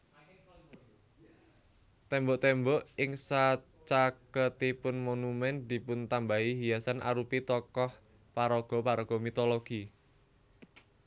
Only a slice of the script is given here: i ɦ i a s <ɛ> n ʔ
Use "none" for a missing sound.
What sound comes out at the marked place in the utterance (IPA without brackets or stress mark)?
a